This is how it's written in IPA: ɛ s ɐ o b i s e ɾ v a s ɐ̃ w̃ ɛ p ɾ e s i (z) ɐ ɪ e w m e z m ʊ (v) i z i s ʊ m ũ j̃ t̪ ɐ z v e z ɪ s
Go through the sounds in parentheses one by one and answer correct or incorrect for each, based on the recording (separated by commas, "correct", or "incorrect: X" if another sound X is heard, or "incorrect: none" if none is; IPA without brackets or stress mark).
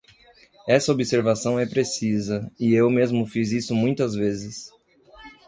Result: correct, incorrect: f